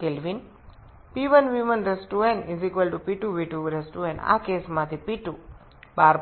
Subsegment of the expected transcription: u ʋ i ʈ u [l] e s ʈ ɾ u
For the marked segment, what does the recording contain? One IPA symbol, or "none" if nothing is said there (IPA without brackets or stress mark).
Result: ɾ